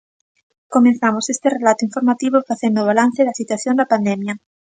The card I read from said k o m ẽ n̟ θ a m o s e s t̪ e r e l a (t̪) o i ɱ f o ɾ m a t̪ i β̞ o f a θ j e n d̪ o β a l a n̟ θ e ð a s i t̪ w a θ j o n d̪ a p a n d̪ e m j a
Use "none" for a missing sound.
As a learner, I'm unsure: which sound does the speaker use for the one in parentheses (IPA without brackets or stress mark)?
t̪